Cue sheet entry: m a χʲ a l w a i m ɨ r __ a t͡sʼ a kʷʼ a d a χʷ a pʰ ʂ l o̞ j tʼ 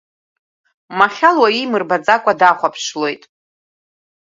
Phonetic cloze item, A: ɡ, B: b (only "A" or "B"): B